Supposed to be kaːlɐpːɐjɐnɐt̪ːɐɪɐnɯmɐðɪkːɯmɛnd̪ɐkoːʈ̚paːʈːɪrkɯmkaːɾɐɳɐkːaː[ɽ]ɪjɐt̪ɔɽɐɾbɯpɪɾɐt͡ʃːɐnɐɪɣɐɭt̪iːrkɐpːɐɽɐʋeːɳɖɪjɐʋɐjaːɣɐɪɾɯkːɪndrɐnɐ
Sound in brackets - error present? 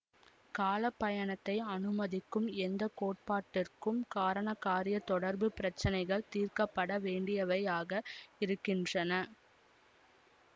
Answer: yes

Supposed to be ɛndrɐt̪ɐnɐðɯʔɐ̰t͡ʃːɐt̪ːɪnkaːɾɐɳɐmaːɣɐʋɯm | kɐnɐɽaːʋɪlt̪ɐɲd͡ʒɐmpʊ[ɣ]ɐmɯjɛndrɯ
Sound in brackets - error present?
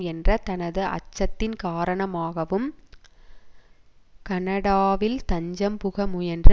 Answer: no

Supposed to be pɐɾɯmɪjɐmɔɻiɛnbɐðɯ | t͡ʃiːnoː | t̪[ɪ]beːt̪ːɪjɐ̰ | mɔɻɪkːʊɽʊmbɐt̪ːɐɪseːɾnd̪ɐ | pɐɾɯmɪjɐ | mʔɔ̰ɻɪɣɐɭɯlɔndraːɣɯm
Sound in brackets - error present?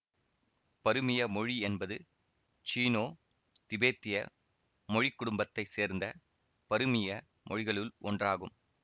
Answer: no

